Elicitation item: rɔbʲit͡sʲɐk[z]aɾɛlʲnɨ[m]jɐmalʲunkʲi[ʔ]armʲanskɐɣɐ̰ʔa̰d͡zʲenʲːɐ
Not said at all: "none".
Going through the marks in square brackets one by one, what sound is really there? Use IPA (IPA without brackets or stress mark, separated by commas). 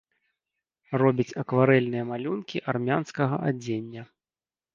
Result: v, none, ʔ